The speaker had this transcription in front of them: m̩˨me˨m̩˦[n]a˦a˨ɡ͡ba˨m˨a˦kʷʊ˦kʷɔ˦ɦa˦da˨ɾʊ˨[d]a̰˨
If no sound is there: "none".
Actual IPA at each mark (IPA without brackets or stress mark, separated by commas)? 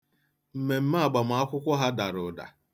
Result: m, d